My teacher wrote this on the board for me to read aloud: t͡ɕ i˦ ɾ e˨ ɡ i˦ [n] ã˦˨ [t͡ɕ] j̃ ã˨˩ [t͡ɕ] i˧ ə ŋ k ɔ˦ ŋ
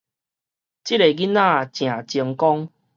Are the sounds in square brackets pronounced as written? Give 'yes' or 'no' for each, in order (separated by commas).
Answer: yes, yes, yes